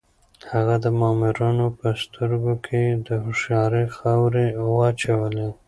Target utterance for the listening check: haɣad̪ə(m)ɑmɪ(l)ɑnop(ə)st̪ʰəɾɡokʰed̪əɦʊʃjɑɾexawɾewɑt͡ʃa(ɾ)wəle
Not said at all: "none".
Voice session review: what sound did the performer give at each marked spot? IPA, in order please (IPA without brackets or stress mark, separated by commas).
m, ɾ, ə, none